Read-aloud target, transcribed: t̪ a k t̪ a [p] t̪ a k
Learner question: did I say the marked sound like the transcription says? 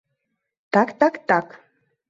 no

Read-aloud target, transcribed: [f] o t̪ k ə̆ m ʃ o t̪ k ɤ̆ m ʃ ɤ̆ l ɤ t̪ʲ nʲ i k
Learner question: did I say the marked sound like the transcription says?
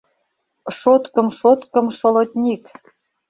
no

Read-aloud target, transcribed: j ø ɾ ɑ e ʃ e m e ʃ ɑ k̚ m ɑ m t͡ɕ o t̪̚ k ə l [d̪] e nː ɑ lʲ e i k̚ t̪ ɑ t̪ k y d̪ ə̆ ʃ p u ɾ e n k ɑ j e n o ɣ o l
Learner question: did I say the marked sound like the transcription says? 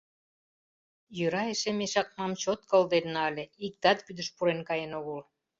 yes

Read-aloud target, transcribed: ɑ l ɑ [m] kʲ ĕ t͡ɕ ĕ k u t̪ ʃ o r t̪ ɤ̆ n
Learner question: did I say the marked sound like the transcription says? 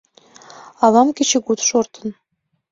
yes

